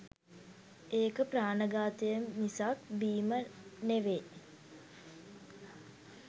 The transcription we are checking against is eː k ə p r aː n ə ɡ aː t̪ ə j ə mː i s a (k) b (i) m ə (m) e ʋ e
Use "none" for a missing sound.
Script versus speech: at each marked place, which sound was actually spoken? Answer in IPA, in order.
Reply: k, iː, n

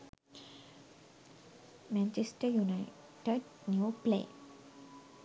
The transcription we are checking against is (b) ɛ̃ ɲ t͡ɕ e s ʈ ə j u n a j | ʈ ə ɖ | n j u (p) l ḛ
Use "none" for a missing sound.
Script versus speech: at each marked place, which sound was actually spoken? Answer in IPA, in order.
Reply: m, p

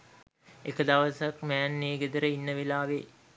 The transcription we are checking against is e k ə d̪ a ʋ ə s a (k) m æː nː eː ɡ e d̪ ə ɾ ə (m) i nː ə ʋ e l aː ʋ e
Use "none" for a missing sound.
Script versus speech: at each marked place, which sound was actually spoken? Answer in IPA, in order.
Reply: k, none

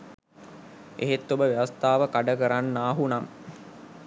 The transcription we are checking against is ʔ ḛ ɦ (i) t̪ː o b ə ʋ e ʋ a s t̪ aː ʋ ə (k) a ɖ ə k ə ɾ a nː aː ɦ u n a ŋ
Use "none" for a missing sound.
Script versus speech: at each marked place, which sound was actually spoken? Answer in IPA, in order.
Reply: e, k

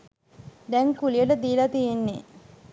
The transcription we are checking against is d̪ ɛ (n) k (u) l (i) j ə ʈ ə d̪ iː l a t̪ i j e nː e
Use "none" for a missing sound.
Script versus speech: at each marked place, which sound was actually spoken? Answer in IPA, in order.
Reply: ŋ, u, i

